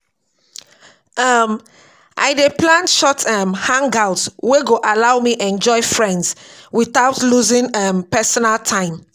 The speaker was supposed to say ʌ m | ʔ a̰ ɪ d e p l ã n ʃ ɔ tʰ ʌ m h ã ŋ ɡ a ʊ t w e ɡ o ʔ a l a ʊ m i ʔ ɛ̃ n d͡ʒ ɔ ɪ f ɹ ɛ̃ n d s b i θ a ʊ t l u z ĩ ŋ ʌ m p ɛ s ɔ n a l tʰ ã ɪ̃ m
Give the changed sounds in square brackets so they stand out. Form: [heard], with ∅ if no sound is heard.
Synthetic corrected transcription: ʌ m | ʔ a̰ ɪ d e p l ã n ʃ ɔ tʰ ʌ m h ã ŋ ɡ a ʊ t w e ɡ o ʔ a l a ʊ m i ʔ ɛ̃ n d͡ʒ ɔ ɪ f ɹ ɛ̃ n d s [w] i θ a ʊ t l u z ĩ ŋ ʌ m p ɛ s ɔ n a l tʰ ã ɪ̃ m